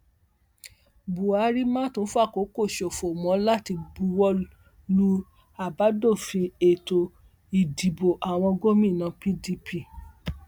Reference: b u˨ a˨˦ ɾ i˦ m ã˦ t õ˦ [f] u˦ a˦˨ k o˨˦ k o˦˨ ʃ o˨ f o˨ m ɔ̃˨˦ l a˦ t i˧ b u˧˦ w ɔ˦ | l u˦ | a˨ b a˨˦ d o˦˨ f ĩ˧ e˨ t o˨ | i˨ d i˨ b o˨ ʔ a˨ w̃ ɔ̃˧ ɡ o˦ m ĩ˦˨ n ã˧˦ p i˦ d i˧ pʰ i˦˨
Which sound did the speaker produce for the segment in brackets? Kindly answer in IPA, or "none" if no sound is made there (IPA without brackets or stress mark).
f